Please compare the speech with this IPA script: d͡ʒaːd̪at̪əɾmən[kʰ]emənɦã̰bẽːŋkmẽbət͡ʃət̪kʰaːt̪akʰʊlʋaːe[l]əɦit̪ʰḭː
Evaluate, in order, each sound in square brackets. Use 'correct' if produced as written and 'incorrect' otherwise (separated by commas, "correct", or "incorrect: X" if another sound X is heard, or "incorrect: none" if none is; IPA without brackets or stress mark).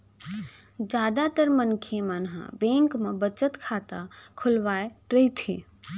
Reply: correct, incorrect: ɾ